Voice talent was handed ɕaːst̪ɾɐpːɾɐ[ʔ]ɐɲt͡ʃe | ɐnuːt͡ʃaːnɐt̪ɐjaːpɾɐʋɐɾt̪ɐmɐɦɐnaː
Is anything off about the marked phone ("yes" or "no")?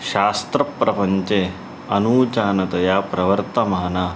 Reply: yes